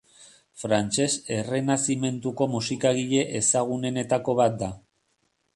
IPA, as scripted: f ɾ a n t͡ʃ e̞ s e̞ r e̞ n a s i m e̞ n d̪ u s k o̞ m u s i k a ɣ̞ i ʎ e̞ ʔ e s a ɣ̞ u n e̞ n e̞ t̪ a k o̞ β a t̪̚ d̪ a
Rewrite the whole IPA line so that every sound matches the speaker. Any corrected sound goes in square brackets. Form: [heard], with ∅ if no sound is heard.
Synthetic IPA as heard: f ɾ a n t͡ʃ e̞ s e̞ r e̞ n a s i m e̞ n [t̪] u [∅] k o̞ m u s i k a ɣ̞ i ʎ e̞ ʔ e s a ɣ̞ u n e̞ n e̞ t̪ a k o̞ β a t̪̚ d̪ a

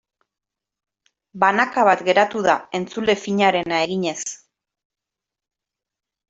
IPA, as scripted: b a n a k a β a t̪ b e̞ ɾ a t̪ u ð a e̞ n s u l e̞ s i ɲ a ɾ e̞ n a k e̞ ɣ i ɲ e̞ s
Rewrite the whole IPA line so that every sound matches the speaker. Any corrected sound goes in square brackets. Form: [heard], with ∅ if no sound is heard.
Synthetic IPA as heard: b a n a k a β a t̪ [ɡ] e̞ ɾ a t̪ u ð a e̞ n [t͡s] u l e̞ [f] i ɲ a ɾ e̞ n a [∅] e̞ ɣ i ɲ e̞ s

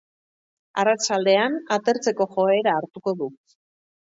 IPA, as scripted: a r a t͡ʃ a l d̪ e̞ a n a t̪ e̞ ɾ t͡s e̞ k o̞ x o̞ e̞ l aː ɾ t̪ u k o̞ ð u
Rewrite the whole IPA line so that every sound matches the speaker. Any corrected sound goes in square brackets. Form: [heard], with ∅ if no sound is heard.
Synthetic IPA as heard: a r a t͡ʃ a l d̪ e̞ a n a t̪ e̞ ɾ t͡s e̞ k o̞ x o̞ e̞ [ɾ] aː ɾ t̪ u k o̞ ð u

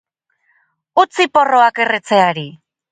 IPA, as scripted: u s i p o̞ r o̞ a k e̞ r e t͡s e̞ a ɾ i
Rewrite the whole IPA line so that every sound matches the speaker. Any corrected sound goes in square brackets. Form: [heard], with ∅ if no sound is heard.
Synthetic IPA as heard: u [t͡s] i p o̞ r o̞ a k e̞ r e t͡s e̞ a ɾ i

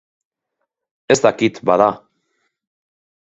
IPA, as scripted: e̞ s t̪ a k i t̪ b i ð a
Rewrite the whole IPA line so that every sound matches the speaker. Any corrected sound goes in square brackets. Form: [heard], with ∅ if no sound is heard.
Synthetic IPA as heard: e̞ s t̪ a k i t̪ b [a] ð a

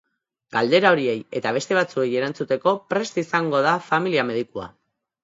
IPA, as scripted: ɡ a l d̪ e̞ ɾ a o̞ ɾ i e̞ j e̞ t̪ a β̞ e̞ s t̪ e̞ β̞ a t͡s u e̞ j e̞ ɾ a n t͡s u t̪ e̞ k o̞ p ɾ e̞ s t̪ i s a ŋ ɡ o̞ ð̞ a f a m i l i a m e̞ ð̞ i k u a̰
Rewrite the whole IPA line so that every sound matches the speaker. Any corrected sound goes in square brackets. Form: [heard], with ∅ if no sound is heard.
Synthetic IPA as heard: ɡ a l d̪ e̞ ɾ a o̞ ɾ i e̞ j e̞ t̪ a β̞ e̞ s t̪ e̞ β̞ a t͡s u e̞ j e̞ ɾ a n t͡s u t̪ e̞ k o̞ p ɾ e̞ s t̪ i s a ŋ ɡ o̞ ð̞ a f a m i l i a m e̞ ð̞ i k u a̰

